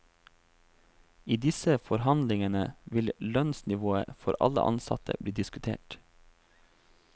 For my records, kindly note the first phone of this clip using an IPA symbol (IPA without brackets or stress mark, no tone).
iː